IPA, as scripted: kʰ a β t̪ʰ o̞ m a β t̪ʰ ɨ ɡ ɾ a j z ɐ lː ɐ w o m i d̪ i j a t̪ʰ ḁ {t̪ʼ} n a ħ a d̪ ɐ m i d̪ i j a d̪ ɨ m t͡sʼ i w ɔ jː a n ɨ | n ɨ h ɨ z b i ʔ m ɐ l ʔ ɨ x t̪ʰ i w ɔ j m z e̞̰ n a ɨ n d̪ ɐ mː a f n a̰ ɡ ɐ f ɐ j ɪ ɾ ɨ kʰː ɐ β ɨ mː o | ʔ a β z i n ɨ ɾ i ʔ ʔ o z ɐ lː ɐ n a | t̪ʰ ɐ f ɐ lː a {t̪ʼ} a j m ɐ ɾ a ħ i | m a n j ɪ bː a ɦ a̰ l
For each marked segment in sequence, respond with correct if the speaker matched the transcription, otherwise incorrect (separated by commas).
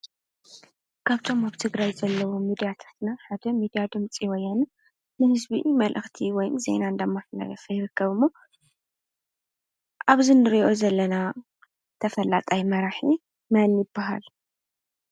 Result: incorrect, correct